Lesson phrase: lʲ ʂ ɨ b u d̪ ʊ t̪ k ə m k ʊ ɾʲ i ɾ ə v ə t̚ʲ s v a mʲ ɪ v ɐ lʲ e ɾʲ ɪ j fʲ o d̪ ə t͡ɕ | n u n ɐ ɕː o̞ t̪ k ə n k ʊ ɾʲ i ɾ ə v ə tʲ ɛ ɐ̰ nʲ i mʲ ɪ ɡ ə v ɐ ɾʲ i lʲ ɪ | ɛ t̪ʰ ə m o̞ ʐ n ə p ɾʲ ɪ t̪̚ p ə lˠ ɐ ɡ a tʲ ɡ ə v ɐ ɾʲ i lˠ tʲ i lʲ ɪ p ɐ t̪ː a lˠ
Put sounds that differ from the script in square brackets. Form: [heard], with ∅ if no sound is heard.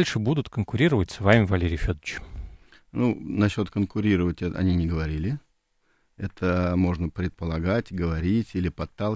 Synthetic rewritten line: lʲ ʂ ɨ b u d̪ ʊ t̪ k ə [n] k ʊ ɾʲ i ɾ ə v ə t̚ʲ s v a mʲ ɪ v ɐ lʲ e ɾʲ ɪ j fʲ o d̪ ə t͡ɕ | n u n ɐ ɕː o̞ t̪ k ə n k ʊ ɾʲ i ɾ ə v ə tʲ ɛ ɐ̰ nʲ i [nʲ] ɪ ɡ ə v ɐ ɾʲ i lʲ ɪ | ɛ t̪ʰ ə m o̞ ʐ n ə p ɾʲ ɪ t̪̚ p ə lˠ ɐ ɡ a tʲ ɡ ə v ɐ ɾʲ i [∅] tʲ i lʲ ɪ p ɐ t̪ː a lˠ